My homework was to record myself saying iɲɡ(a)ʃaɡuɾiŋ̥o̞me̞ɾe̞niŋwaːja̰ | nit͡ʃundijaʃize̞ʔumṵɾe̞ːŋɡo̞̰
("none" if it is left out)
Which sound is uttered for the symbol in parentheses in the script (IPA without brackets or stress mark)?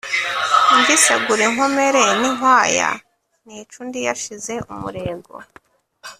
i